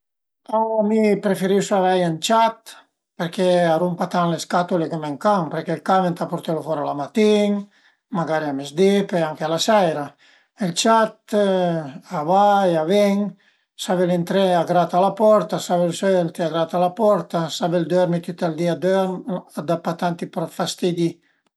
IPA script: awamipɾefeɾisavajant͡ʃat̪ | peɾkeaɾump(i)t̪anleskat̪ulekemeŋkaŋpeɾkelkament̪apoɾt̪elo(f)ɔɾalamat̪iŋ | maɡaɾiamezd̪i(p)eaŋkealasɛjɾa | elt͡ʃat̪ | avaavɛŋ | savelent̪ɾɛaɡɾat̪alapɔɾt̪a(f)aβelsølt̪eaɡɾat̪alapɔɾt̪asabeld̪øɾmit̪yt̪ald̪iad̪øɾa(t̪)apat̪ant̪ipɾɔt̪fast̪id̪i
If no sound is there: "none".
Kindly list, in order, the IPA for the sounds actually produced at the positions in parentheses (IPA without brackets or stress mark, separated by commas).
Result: a, f, p, s, d̪